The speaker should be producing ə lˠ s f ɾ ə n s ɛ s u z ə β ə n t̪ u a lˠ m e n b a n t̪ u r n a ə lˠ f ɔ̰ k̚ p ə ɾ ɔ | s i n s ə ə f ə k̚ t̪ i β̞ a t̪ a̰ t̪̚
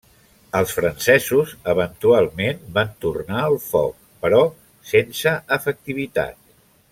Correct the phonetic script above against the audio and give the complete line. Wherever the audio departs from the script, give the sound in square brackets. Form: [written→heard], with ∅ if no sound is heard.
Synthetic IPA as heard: ə lˠ s f ɾ ə n s ɛ [s→z] u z ə β ə n t̪ u a lˠ m e n b a n t̪ u r n a ə lˠ f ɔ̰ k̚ p ə ɾ ɔ | s [i→e] n s ə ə f ə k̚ t̪ i β̞ [a→i] t̪ a̰ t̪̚